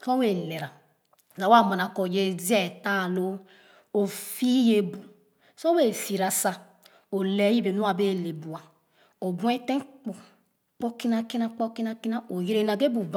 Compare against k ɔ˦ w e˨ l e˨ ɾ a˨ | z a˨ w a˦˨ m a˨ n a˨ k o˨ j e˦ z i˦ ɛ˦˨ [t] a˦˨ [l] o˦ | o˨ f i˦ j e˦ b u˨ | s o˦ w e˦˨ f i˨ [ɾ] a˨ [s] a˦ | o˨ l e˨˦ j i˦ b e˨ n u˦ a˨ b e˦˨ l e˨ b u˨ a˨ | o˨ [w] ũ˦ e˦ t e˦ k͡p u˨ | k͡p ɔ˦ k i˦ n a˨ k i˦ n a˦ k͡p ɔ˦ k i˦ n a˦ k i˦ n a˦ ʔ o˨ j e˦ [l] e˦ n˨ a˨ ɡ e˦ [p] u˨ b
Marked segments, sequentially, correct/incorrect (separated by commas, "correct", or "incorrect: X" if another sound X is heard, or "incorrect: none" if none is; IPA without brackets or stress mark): correct, correct, correct, correct, incorrect: b, incorrect: ɾ, incorrect: b